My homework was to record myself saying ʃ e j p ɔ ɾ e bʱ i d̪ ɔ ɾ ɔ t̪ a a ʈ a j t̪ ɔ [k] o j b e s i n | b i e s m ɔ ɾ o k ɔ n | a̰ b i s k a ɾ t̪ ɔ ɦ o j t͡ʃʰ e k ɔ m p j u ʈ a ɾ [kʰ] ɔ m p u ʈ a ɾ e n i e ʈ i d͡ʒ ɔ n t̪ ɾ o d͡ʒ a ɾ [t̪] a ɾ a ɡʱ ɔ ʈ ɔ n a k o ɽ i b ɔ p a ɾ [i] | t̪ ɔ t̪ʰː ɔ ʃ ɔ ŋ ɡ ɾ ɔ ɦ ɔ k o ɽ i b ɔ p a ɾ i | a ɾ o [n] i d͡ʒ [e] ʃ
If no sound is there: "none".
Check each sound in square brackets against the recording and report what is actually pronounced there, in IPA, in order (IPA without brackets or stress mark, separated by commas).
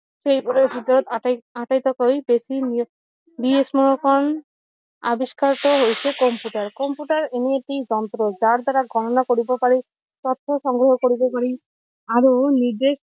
k, k, d̪, i, n, e